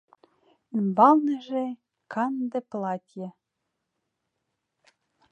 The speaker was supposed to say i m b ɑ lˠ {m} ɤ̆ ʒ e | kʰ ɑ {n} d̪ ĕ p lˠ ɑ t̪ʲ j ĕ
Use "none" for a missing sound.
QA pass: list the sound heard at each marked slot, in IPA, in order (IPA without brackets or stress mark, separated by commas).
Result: n, n